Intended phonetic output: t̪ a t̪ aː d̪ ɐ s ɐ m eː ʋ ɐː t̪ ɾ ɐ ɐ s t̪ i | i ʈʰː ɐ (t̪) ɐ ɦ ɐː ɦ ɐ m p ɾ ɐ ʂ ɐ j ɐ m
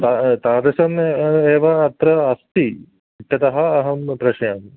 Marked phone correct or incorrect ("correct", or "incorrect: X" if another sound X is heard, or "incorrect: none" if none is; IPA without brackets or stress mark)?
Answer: correct